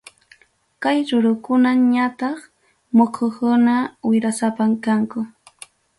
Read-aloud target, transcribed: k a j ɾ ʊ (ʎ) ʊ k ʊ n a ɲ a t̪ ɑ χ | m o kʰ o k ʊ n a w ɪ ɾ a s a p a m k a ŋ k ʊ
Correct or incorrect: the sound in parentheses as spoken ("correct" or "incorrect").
incorrect